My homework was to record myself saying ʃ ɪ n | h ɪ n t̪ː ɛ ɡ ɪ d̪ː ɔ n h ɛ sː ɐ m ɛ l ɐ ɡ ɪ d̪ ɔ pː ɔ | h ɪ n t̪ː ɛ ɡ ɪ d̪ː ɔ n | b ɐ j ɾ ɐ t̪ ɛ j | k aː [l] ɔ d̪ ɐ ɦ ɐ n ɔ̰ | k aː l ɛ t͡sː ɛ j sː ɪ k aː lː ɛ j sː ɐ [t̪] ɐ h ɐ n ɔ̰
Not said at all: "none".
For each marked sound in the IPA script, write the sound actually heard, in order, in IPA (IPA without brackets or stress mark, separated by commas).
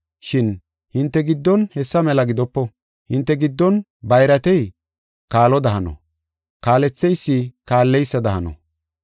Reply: l, d̪